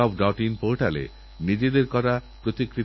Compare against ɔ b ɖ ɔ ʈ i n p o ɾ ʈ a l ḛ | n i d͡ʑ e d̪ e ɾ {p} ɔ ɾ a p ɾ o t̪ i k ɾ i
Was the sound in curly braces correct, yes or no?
no